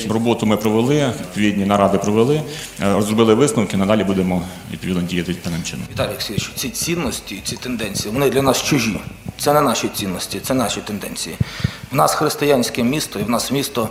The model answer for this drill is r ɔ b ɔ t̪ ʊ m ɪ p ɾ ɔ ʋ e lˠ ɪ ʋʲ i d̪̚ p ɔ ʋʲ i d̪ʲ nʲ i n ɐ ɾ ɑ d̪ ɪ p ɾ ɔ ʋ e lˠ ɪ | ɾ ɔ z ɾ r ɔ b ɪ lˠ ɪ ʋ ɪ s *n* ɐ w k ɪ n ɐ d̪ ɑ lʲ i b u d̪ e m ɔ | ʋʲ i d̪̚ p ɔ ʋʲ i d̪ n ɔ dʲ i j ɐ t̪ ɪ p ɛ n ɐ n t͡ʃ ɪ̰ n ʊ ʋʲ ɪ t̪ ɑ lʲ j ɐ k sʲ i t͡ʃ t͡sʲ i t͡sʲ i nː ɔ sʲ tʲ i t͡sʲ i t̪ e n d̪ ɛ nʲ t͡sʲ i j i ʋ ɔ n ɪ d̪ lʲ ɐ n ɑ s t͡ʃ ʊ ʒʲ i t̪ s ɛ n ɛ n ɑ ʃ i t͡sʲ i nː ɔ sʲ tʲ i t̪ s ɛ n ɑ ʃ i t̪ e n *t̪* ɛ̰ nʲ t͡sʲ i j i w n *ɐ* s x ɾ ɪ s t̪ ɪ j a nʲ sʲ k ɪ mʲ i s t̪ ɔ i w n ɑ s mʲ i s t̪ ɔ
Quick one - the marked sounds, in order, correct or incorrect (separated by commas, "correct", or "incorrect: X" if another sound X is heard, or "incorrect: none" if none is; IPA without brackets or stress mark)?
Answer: correct, incorrect: d̪, incorrect: ɑ